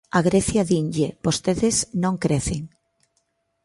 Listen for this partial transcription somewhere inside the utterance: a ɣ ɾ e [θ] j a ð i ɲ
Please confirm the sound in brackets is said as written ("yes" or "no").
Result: yes